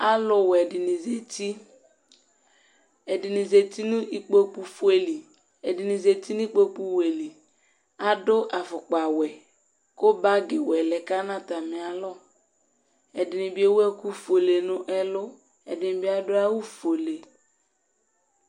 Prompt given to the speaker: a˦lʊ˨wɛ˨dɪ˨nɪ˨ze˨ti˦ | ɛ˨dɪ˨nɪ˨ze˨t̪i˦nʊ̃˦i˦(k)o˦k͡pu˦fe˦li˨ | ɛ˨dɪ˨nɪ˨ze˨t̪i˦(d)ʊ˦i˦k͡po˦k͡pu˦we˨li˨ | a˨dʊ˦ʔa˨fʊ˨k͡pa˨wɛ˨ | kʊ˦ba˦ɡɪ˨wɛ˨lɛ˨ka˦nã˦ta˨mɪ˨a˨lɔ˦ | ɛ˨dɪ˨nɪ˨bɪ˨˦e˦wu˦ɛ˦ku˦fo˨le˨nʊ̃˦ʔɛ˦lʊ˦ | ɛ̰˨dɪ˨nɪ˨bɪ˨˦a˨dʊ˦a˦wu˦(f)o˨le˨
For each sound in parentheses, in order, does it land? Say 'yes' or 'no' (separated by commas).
no, no, yes